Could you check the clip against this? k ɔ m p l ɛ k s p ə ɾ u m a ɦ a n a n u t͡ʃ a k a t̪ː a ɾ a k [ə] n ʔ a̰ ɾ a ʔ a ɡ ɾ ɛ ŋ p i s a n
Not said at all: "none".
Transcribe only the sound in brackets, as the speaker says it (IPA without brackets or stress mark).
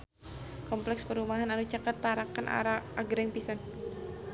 a